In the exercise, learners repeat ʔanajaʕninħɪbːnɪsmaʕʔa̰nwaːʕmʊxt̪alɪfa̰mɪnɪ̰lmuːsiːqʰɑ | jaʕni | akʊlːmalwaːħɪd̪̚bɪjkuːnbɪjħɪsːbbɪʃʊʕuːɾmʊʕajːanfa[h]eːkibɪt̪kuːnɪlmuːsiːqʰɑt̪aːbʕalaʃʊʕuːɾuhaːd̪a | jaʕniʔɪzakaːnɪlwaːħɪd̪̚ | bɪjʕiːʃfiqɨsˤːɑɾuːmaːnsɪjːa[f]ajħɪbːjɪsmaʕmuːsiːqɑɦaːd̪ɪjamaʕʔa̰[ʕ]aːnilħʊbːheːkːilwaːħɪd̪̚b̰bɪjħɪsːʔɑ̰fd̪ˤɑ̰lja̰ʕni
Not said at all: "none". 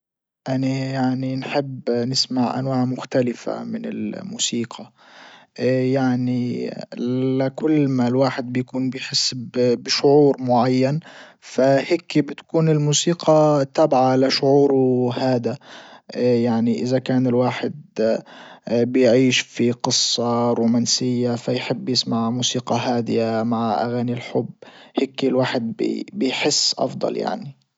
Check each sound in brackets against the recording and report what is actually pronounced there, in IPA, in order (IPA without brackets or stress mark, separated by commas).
h, f, ɣ